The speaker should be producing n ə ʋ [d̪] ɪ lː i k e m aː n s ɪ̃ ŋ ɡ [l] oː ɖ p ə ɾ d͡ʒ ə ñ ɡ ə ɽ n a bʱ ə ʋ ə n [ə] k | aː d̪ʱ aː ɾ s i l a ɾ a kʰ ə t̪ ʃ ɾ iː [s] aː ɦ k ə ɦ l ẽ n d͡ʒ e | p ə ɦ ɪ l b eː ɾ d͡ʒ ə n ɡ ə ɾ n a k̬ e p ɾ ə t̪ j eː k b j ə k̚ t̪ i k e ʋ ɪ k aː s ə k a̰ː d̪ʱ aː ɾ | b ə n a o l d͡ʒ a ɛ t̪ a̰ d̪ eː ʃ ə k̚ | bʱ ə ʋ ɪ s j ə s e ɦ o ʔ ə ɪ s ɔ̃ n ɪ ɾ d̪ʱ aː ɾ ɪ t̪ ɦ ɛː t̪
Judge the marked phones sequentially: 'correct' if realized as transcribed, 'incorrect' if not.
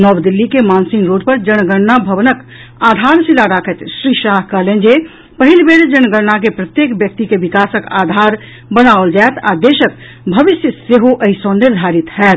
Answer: correct, incorrect: ɾ, correct, incorrect: ʃ

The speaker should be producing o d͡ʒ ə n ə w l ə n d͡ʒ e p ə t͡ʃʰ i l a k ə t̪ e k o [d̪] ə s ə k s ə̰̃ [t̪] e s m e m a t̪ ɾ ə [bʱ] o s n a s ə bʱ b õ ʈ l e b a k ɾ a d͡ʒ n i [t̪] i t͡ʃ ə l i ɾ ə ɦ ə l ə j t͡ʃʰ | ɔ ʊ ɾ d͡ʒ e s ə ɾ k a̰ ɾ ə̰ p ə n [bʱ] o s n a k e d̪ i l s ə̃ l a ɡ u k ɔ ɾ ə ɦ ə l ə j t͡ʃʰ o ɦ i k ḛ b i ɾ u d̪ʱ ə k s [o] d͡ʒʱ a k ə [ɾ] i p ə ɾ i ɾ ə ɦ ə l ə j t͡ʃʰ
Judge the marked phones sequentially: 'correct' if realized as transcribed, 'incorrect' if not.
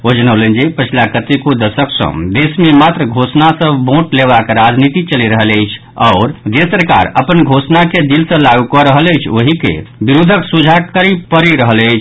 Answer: correct, incorrect: d̪, incorrect: ɡʱ, correct, incorrect: ɡʱ, incorrect: u, correct

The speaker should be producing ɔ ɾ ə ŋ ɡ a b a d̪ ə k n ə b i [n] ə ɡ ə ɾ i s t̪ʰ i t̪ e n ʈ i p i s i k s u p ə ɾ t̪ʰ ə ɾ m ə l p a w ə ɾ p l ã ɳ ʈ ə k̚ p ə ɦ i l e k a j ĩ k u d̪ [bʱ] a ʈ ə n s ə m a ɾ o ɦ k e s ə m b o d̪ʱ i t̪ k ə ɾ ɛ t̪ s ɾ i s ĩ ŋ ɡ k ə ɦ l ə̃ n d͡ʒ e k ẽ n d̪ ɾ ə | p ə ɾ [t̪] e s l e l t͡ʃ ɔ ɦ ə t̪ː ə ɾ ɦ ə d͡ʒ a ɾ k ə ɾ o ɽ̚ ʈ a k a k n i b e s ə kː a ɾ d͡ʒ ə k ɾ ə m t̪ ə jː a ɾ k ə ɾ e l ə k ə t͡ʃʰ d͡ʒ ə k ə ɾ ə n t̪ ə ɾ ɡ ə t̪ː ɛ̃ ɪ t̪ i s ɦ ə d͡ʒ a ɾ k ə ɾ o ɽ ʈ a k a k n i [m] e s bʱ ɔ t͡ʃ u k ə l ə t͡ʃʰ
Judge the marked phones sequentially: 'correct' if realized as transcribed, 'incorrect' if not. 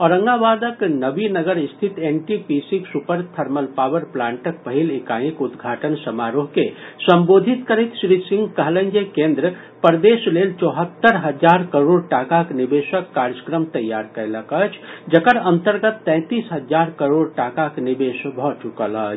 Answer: correct, incorrect: ɡʱ, incorrect: d̪, incorrect: b

